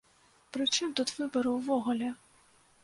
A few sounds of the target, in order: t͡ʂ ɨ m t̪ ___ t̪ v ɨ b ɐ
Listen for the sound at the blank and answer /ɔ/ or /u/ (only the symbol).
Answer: u